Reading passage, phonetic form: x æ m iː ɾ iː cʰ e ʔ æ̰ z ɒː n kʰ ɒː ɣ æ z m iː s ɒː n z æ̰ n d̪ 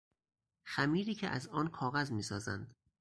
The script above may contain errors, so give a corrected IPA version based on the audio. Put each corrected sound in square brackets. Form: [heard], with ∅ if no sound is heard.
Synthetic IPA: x æ m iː ɾ iː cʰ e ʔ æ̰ z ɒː n kʰ ɒː ɣ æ z m iː s ɒː [∅] z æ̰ n d̪